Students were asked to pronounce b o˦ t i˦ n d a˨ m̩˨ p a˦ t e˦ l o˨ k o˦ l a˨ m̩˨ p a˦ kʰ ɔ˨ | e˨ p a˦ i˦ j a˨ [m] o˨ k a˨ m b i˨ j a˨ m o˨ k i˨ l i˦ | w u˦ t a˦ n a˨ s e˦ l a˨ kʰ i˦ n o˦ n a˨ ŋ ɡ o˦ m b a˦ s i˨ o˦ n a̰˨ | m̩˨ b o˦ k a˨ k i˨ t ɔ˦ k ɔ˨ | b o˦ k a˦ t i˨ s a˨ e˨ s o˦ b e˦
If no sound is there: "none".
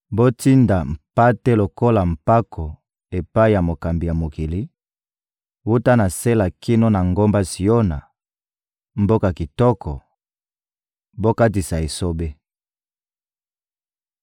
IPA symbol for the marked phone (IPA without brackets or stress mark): m